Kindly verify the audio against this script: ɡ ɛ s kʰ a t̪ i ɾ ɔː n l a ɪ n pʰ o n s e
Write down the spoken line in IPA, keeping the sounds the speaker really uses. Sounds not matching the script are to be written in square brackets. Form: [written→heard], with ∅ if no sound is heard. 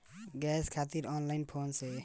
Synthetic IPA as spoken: ɡ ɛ s kʰ a t̪ i ɾ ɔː n l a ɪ n pʰ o n s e

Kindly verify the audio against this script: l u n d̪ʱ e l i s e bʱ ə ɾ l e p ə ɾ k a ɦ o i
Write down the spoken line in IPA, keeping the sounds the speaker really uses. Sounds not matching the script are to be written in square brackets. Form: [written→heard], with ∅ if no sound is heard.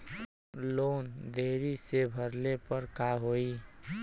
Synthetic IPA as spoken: l [u→o] n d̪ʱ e [l→ɾ] i s e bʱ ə ɾ l e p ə ɾ k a ɦ o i

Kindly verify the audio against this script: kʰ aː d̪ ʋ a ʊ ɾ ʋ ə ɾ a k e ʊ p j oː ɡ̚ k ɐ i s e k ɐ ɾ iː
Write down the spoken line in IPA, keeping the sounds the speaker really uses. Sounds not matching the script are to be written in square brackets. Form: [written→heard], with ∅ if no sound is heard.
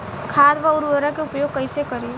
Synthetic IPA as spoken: kʰ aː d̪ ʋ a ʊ ɾ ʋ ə ɾ a k e ʊ p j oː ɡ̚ k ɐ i s e k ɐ ɾ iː

